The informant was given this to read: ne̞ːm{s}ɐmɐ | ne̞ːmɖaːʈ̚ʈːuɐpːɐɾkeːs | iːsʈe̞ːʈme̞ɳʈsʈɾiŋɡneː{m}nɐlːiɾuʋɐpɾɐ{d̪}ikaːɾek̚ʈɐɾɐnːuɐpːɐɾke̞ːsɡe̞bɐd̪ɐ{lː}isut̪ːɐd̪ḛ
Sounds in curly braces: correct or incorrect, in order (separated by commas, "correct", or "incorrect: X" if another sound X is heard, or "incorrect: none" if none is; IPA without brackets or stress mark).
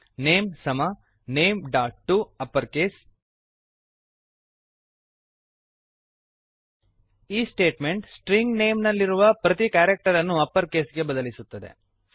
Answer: correct, correct, incorrect: t̪, incorrect: l